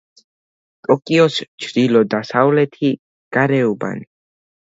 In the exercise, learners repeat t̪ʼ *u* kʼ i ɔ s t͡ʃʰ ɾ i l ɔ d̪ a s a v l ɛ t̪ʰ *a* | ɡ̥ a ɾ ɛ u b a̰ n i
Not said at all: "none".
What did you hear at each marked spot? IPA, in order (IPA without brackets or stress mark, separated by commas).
ɔ, i